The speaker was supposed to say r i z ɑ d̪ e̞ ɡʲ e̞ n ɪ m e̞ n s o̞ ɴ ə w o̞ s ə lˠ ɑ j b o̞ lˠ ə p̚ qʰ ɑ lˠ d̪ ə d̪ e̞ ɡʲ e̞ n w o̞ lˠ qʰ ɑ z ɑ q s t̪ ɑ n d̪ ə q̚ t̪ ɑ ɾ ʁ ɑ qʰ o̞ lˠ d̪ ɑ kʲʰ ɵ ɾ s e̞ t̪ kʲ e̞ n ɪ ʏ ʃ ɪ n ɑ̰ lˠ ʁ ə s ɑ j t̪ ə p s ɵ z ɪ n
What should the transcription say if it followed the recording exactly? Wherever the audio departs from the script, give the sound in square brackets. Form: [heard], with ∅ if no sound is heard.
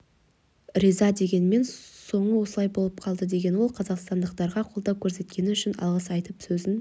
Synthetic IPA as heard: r i z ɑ d̪ e̞ ɡʲ e̞ n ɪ m e̞ n s o̞ ɴ ə w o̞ s ə lˠ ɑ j b o̞ lˠ ə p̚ qʰ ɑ lˠ d̪ ə d̪ e̞ ɡʲ e̞ n w o̞ lˠ qʰ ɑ z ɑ q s t̪ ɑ n d̪ ə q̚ t̪ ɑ ɾ ʁ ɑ qʰ o̞ lˠ d̪ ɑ kʲʰ ɵ ɾ s e̞ t̪ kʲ e̞ n ɪ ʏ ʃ ɪ n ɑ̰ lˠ ʁ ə s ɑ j t̪ ə p s ɵ z ɪ n